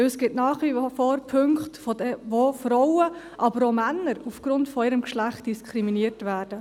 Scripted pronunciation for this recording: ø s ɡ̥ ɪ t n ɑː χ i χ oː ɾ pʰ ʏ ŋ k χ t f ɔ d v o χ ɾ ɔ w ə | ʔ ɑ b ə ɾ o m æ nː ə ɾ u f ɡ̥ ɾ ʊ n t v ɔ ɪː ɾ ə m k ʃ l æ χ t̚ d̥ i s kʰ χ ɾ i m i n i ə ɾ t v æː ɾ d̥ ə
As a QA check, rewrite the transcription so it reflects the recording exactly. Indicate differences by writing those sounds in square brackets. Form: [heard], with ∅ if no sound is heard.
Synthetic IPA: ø s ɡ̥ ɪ t n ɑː χ i [f] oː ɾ pʰ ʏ ŋ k χ t f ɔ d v o [f] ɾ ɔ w ə | ʔ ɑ b ə ɾ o m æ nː ə ɾ u f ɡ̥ ɾ ʊ n t [f] ɔ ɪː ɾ ə m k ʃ l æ χ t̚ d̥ i s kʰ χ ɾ i m i n i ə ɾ t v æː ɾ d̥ ə